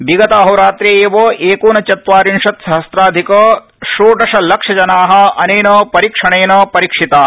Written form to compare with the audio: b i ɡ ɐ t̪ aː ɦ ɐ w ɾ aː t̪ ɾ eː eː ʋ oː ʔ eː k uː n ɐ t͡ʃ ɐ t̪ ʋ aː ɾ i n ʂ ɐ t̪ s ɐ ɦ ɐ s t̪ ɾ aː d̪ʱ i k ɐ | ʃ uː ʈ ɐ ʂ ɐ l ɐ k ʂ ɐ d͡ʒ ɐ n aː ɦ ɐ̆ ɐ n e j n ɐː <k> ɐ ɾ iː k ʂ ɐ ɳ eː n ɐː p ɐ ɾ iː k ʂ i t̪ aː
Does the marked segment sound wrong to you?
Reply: yes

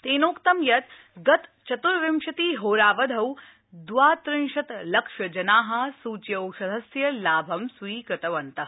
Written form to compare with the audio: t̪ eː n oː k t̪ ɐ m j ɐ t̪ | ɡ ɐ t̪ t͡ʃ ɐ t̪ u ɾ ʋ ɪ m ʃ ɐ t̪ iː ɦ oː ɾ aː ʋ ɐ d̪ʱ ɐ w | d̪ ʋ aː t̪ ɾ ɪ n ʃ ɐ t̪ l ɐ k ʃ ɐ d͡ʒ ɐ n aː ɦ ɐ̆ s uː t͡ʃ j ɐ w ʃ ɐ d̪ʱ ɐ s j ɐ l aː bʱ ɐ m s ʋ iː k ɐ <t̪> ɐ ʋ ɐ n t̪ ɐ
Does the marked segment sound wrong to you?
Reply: no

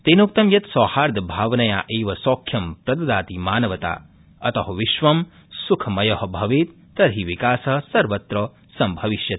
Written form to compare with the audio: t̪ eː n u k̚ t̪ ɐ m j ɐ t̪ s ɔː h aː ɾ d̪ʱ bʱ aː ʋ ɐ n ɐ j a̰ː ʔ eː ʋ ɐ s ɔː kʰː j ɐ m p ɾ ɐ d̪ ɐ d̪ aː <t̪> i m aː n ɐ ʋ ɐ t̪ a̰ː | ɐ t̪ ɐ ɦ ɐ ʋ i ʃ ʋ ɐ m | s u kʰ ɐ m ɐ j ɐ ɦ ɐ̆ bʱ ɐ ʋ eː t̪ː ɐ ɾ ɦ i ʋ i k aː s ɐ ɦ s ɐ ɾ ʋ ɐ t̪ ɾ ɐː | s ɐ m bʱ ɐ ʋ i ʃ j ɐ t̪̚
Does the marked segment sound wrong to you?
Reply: no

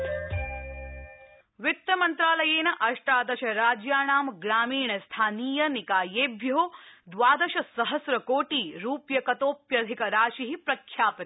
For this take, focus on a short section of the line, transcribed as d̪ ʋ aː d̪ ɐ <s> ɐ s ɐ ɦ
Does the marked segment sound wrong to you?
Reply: yes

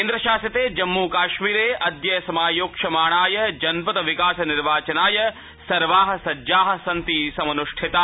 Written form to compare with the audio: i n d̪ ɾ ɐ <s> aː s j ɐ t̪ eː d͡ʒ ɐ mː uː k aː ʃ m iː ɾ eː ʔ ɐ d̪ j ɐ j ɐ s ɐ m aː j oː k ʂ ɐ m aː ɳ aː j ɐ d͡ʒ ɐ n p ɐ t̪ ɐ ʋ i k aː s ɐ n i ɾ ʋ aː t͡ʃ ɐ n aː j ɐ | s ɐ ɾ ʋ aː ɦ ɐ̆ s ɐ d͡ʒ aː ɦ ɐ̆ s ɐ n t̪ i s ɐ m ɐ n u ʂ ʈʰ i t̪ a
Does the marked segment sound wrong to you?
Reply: yes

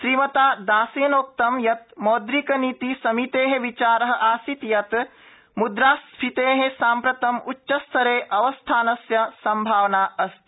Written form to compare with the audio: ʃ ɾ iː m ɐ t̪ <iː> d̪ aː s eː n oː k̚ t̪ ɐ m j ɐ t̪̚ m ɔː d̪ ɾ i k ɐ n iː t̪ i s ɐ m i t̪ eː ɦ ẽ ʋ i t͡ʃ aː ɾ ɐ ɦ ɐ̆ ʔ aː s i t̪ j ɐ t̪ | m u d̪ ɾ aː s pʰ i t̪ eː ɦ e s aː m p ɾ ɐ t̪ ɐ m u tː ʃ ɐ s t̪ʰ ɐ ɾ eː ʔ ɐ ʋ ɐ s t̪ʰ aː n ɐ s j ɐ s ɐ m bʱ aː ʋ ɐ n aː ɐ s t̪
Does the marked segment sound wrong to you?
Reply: yes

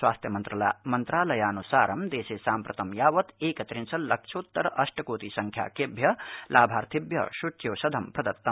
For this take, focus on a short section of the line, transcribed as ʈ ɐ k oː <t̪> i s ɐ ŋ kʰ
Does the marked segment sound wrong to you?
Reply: no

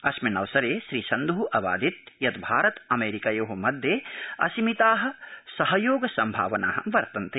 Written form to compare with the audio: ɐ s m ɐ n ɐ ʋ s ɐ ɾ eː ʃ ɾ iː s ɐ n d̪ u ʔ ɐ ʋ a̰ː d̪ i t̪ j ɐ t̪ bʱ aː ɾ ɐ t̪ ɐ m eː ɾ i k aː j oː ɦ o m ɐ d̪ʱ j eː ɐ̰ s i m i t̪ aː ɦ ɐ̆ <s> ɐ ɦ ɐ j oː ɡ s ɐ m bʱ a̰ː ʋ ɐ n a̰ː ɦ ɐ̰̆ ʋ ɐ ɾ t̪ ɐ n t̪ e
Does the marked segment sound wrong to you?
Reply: no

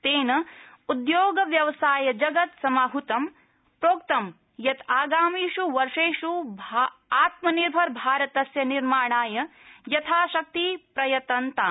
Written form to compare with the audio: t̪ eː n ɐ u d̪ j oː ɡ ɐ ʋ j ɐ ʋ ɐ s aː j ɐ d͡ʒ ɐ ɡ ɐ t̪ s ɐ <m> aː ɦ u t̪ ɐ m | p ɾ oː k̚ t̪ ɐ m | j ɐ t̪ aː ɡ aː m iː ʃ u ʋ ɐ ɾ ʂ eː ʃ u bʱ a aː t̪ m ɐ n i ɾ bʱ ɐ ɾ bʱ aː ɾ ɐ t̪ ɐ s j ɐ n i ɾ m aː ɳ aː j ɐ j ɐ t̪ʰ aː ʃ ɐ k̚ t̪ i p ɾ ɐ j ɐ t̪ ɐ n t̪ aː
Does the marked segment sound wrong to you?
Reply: no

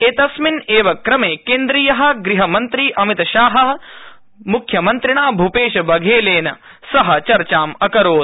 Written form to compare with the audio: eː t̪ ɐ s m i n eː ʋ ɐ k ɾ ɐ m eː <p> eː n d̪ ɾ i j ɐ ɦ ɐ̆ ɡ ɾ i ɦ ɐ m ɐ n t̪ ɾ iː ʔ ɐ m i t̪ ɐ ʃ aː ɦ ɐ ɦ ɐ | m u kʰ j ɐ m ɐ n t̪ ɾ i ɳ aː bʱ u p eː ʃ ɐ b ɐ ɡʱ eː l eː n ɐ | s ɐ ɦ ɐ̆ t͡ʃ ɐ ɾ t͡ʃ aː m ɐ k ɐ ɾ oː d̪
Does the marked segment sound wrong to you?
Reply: yes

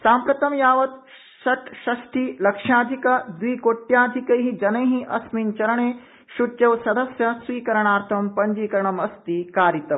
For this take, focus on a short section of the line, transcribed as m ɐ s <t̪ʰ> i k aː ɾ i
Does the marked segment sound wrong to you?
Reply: yes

